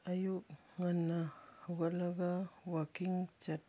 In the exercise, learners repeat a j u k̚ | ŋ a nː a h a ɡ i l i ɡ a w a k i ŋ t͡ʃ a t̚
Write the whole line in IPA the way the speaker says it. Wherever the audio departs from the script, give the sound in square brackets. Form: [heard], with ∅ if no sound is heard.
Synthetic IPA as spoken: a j u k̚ | ŋ a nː a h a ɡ [a] l [a] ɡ a w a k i ŋ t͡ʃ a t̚